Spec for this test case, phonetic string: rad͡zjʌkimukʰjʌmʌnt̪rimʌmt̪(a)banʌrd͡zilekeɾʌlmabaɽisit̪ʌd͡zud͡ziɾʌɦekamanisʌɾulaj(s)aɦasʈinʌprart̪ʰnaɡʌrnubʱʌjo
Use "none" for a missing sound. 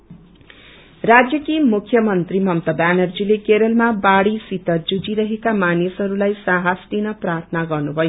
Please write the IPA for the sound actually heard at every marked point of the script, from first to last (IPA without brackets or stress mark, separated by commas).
ʌ, s